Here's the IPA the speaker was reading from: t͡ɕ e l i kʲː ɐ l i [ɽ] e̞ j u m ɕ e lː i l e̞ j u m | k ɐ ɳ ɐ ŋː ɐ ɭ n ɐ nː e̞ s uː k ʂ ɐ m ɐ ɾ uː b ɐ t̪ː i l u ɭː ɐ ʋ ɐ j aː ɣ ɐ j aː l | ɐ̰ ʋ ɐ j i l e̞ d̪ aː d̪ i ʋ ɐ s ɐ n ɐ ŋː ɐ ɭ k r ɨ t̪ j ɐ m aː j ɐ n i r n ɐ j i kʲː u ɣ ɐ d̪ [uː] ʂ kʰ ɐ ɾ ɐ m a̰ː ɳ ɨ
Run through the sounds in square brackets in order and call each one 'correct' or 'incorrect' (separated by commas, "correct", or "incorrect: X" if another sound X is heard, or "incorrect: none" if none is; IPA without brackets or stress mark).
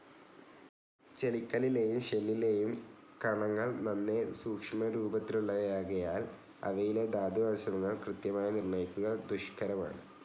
incorrect: l, incorrect: u